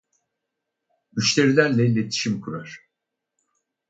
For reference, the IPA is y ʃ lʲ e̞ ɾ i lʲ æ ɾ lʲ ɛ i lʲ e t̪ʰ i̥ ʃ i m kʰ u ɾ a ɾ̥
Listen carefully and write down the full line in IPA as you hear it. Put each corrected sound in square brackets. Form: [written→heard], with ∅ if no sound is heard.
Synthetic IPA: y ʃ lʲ e̞ ɾ i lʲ æ ɾ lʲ ɛ i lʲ e t̪ʰ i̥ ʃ i m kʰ u ɾ a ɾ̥